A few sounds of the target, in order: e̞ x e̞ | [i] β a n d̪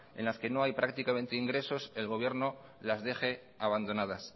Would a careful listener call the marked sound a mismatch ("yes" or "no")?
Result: yes